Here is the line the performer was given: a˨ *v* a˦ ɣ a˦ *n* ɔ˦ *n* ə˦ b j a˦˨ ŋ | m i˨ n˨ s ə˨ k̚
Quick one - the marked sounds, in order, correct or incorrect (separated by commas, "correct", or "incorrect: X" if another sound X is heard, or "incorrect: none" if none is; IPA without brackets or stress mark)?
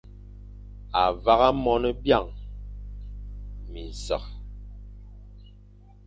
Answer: correct, incorrect: m, correct